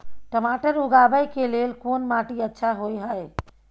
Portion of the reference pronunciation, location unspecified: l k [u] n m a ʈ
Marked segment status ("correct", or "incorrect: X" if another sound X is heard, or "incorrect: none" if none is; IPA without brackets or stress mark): incorrect: o